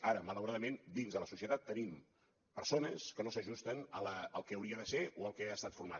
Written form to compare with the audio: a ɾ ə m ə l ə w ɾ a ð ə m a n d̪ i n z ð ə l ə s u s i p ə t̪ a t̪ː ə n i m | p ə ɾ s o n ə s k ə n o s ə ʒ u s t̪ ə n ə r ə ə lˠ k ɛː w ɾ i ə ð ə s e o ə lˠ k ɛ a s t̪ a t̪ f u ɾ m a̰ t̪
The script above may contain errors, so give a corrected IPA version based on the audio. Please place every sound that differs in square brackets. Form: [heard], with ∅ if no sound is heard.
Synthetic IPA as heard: a ɾ ə m ə l ə w ɾ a ð ə m [e] n d̪ i n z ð ə l ə s u s i [∅] ə t̪ a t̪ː ə n i m | p ə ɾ s o n ə s k ə n o s ə ʒ u s t̪ ə n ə [l] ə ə lˠ k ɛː w ɾ i ə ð ə s e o ə lˠ k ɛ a s t̪ a t̪ f u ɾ m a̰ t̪